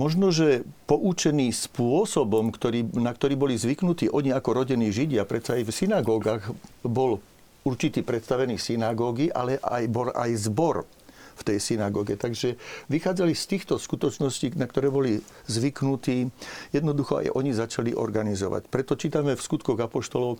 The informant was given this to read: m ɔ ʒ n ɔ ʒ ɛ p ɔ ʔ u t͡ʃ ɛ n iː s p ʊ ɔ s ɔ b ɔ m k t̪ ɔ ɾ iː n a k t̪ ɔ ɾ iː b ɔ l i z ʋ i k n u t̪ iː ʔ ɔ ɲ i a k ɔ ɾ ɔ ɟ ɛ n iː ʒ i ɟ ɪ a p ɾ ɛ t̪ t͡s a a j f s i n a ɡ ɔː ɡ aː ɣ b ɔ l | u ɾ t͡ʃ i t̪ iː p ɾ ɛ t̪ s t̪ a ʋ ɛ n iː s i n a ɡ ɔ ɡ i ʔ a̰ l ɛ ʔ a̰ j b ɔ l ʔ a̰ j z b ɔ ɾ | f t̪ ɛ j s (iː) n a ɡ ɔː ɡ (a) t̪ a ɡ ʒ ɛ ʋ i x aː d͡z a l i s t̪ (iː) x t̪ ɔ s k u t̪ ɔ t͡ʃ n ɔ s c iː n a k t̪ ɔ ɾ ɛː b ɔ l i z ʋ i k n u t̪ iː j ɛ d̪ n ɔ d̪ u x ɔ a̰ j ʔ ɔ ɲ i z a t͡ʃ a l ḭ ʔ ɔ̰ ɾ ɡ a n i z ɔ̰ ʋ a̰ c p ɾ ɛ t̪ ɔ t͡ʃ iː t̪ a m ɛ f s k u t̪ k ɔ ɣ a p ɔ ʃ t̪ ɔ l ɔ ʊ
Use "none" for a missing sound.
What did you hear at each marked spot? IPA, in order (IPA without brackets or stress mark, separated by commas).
i, ɛ, iː